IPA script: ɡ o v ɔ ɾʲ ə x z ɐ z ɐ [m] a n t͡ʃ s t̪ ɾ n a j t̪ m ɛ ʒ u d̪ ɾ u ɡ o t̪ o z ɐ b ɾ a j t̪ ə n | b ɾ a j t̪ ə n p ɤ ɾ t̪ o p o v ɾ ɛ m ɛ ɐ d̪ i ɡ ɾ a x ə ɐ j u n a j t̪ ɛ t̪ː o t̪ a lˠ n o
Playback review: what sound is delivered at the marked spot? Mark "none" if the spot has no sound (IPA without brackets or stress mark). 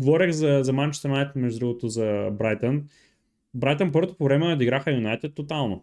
m